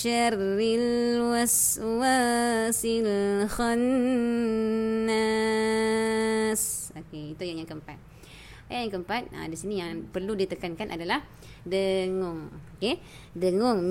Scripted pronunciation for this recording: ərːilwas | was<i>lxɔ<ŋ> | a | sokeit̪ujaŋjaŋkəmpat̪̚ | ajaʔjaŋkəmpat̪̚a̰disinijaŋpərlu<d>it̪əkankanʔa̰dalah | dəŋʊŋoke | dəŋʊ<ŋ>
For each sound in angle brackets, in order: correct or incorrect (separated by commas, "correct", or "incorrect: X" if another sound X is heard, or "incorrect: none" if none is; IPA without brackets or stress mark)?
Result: correct, incorrect: n, correct, correct